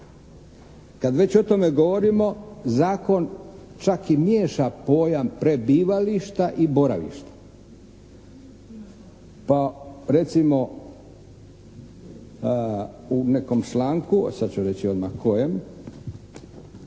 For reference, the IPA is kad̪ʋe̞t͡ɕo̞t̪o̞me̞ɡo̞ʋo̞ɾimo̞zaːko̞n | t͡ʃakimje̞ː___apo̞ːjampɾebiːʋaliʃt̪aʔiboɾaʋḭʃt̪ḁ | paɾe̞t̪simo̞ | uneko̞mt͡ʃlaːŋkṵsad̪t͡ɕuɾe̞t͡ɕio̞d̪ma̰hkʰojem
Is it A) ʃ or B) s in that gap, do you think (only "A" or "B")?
A